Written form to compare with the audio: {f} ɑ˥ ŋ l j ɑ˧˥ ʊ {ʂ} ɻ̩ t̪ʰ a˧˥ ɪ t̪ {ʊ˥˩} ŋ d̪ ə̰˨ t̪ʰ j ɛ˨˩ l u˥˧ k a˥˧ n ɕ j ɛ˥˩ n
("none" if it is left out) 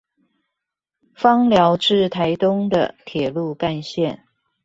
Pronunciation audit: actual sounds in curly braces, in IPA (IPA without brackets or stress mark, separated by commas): f, ʈ͡ʂ, ʊ˥